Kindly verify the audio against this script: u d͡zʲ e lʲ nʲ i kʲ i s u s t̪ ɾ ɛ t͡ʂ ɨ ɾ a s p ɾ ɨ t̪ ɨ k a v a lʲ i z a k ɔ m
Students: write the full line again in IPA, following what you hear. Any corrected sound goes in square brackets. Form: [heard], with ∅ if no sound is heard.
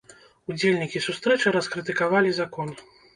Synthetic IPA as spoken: u d͡zʲ e lʲ nʲ i kʲ i s u s t̪ ɾ ɛ t͡ʂ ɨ ɾ [ɐ] s [k] ɾ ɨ t̪ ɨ k a v a lʲ i z a k ɔ [n]